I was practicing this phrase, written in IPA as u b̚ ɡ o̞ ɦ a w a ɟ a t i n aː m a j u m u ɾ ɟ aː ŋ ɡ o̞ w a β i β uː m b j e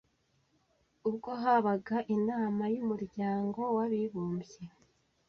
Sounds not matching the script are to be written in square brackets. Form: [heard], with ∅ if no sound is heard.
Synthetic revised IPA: u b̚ ɡ o̞ ɦ a [β] a [ɡ] a [ʔ] i n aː m a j u m u ɾ ɟ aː ŋ ɡ o̞ w a β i β uː m b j e